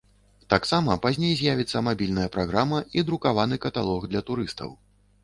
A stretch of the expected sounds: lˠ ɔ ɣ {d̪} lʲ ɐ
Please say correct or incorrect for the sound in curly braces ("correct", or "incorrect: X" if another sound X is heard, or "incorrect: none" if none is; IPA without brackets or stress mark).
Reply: correct